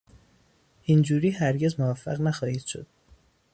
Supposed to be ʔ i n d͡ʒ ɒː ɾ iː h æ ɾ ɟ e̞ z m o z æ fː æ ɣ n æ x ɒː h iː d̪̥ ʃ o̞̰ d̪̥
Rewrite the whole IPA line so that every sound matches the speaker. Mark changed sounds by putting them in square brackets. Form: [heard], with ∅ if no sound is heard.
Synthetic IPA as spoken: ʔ i n d͡ʒ [uː] ɾ iː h æ ɾ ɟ e̞ z m o [v] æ fː æ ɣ n æ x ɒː h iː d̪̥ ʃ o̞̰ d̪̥